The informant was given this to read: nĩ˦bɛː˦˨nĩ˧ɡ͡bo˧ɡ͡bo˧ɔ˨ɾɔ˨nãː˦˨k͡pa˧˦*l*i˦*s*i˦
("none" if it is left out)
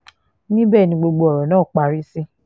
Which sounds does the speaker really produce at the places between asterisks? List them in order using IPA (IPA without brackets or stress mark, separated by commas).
ɾ, s